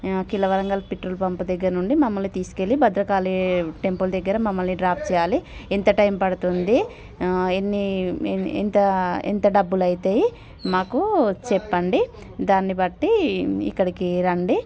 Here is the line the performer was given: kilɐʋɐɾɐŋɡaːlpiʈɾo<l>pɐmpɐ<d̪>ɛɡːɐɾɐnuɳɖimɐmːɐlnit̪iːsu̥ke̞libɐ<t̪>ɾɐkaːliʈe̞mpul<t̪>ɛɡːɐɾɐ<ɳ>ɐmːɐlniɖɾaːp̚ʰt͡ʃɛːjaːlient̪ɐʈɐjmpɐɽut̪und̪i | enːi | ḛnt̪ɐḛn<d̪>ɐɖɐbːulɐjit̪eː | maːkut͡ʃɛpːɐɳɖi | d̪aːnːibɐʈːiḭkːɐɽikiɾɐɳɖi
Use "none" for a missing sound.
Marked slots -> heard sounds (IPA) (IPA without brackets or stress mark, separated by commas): l, d̪, d̪, d̪, m, t̪